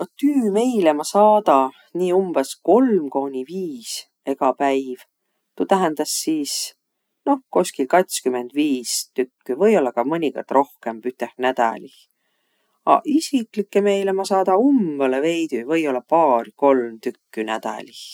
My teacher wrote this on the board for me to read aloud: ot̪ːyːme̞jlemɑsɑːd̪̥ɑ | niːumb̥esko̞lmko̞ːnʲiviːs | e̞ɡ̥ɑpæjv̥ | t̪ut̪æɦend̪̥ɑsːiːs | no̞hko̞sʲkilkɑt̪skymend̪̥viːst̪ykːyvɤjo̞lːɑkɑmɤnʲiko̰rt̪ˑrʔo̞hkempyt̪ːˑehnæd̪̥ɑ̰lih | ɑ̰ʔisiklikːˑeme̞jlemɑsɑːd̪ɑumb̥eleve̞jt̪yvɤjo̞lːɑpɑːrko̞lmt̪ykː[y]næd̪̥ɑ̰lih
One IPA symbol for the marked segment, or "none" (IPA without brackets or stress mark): y